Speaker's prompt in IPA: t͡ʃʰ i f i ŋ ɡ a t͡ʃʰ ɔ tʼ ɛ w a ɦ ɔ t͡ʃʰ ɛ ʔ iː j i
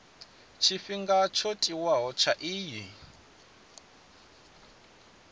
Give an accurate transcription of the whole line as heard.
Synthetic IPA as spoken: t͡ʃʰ i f i ŋ ɡ a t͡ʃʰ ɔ tʼ i w a ɦ ɔ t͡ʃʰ a ʔ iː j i